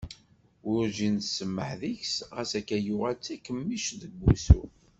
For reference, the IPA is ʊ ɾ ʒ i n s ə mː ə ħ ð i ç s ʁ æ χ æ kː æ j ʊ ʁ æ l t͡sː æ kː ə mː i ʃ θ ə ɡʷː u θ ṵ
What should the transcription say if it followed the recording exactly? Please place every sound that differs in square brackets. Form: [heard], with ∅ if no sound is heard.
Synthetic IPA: ʊ ɾ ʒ i n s ə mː ə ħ ð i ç s ʁ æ [s] æ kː æ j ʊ ʁ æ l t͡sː æ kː ə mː i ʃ [ð] ə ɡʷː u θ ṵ